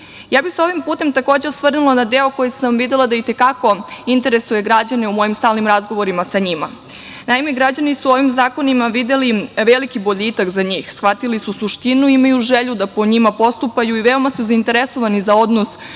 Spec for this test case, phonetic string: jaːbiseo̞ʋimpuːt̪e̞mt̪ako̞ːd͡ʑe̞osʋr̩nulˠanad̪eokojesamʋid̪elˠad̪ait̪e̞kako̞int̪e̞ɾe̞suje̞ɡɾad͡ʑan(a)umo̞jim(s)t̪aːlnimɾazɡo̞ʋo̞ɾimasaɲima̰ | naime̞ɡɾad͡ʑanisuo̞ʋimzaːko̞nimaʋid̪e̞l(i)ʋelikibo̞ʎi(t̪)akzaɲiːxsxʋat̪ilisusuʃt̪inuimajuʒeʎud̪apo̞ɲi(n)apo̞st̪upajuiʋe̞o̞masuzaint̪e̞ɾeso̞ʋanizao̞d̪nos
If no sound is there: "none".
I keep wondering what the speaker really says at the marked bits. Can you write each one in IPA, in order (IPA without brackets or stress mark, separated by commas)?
e, s, i, t̪, m